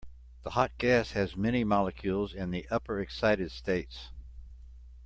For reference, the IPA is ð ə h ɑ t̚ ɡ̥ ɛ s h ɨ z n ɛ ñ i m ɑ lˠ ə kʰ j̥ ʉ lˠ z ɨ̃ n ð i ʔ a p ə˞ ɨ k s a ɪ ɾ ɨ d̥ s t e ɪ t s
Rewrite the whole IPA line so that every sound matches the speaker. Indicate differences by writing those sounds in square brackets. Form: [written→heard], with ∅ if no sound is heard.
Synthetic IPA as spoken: ð ə h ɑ t̚ ɡ̥ [ɛ→æ] s h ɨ z [n→m] ɛ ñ i m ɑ lˠ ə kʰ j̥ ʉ lˠ z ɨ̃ n ð i ʔ [a→ʌ] p ə˞ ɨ k s a ɪ ɾ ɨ d̥ s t e ɪ t s